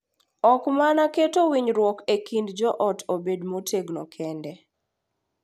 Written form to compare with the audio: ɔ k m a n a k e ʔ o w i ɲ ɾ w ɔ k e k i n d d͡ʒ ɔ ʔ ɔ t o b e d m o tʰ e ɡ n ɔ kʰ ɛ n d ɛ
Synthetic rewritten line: ɔ k m a n a k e t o w i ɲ ɾ w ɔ k e k i n d d͡ʒ ɔ ʔ ɔ t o b e d m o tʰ e ɡ n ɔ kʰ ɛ n d ɛ